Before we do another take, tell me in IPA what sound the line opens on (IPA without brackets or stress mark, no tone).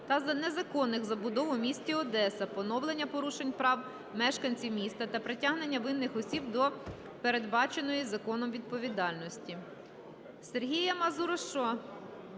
t̪